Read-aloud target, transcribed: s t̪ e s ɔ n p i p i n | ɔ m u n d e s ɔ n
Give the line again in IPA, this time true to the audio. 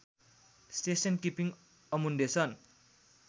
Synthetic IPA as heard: s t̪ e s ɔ n k i p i ŋ | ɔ m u n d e s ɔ n